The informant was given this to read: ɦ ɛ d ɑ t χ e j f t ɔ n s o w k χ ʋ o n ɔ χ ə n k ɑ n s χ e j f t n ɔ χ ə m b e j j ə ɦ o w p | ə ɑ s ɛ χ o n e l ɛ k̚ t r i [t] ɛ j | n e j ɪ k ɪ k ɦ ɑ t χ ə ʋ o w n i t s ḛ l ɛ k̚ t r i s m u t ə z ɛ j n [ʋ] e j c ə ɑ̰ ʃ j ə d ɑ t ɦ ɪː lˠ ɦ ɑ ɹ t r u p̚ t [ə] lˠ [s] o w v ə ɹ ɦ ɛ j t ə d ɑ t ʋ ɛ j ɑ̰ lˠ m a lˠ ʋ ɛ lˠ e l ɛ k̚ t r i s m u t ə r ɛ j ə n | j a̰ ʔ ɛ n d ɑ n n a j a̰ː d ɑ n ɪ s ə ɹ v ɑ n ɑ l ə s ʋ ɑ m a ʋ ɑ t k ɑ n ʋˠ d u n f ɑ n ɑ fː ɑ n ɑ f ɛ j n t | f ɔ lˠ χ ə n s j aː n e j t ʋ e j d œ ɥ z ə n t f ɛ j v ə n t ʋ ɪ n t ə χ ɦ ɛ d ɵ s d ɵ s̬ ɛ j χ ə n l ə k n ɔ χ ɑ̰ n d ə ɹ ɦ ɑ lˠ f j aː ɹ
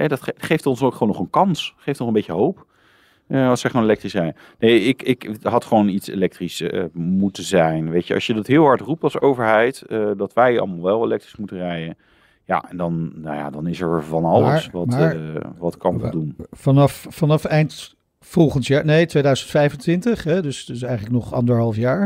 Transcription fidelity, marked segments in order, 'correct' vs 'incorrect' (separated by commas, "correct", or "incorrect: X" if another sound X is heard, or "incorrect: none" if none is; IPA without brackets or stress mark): incorrect: s, correct, incorrect: ɑ, correct